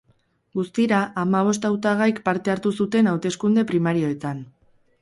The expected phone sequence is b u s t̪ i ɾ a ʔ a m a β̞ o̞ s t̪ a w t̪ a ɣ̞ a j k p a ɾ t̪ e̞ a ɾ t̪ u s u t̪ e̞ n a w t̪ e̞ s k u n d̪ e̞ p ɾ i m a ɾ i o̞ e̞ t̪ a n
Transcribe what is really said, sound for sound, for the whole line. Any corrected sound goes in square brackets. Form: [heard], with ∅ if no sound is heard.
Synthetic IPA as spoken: [ɡ] u s t̪ i ɾ a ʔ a m a β̞ o̞ s t̪ a w t̪ a ɣ̞ a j k p a ɾ t̪ e̞ a ɾ t̪ u s u t̪ e̞ n a w t̪ e̞ s k u n d̪ e̞ p ɾ i m a ɾ i o̞ e̞ t̪ a n